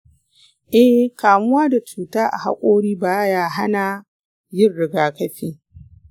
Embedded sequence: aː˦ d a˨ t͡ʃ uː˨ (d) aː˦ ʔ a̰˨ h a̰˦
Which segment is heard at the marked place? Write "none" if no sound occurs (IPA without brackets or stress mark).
t